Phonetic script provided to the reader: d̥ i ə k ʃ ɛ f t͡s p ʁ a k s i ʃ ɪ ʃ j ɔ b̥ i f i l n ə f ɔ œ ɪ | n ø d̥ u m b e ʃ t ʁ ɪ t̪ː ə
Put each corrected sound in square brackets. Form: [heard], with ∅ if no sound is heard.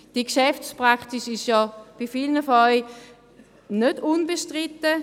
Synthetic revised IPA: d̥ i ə k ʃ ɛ f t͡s p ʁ a k [t] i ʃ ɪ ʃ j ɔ b̥ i f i l n ə f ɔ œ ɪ | n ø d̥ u [n] b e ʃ t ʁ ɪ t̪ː ə